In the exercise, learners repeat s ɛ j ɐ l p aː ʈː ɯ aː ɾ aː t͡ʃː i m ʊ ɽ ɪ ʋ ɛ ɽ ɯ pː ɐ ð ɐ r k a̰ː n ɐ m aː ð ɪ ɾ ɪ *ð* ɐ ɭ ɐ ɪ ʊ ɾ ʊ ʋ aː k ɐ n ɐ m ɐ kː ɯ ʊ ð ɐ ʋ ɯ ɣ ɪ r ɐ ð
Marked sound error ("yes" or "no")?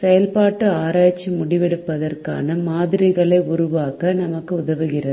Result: yes